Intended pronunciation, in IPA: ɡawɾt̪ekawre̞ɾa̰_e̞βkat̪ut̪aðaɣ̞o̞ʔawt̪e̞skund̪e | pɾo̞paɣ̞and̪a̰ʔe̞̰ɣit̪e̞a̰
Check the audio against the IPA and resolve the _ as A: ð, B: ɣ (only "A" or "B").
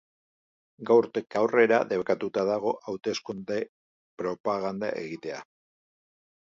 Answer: A